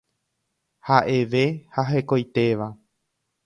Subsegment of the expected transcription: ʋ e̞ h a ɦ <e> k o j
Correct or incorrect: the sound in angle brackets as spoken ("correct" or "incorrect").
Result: correct